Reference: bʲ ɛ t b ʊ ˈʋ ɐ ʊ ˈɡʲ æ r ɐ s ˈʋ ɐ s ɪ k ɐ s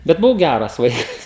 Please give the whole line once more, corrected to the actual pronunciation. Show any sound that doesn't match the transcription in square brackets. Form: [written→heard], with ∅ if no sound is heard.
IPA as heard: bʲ ɛ t b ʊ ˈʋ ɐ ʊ ˈɡʲ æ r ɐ s ˈʋ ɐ [s→∅] ɪ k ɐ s